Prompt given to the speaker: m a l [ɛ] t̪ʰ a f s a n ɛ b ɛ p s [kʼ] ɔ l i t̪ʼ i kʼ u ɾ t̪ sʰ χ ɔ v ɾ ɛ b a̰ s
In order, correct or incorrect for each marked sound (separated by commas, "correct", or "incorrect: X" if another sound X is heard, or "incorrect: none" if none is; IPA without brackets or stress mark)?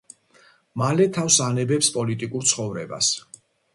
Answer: correct, incorrect: pʼ